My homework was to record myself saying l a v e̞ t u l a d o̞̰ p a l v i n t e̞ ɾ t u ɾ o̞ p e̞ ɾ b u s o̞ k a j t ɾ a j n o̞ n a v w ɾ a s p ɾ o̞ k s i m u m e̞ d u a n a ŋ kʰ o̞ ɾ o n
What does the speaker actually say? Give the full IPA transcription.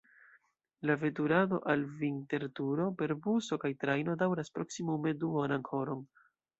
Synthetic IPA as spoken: l a v e̞ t u ɾ a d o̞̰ ʔ a l v i n t e̞ ɾ t u ɾ o̞ p e̞ ɾ b u s o̞ k a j t ɾ a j n o̞ d a w ɾ a s p ɾ o̞ k s i m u m e̞ d u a n a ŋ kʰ o̞ ɾ o n